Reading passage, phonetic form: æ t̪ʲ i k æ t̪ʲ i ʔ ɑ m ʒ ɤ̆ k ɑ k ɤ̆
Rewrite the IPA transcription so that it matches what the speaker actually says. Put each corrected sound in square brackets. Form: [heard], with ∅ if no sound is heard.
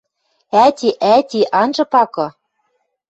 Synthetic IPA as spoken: æ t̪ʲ i [ʔ] æ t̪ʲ i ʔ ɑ [n] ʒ ɤ̆ [p] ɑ k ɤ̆